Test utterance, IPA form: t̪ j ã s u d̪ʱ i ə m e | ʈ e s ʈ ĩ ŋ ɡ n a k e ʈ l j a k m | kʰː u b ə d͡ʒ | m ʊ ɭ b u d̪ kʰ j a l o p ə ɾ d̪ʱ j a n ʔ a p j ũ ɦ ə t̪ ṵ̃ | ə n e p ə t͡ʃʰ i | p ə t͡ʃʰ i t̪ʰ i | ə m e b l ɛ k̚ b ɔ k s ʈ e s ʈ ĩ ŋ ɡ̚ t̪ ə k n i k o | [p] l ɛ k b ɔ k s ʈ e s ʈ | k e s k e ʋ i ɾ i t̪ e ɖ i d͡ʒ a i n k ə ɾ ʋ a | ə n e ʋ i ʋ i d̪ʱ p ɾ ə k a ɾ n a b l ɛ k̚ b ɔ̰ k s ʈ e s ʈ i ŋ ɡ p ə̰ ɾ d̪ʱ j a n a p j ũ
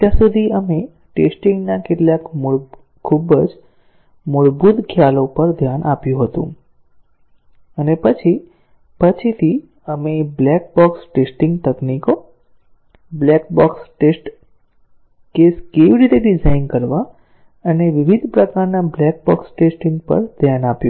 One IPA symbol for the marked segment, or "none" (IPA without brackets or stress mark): b